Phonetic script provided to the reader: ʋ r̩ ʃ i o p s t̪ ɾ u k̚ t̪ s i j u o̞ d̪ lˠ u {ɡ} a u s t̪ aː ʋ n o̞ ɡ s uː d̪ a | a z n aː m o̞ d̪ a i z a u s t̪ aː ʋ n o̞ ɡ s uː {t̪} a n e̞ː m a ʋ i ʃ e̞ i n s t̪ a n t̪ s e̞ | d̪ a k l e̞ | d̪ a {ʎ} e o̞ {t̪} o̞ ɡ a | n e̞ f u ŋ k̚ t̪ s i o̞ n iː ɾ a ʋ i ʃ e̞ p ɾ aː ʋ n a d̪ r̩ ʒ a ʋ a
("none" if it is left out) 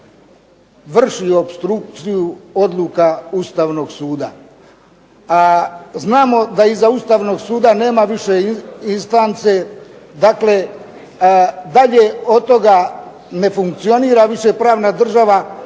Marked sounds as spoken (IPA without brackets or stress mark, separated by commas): k, d̪, ʎ, t̪